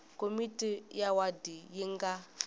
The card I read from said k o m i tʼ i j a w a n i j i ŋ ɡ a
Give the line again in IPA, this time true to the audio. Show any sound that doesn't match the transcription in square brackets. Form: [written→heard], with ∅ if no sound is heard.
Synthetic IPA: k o m i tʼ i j a w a [n→d] i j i ŋ ɡ a